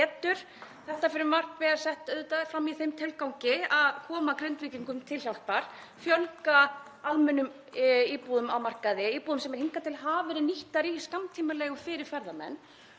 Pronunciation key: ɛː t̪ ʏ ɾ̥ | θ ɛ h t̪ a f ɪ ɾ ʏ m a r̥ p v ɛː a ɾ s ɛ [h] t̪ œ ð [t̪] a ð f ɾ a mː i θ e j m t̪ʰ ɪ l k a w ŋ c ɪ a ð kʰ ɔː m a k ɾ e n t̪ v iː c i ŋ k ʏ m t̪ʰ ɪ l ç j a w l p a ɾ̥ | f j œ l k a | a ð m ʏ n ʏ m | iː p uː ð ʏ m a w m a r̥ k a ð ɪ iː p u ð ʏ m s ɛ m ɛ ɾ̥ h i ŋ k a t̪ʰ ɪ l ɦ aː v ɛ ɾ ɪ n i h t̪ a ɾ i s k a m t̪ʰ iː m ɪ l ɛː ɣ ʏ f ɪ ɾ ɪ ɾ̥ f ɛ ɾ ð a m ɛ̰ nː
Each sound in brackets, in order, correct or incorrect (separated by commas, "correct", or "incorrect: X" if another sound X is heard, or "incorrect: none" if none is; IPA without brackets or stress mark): correct, correct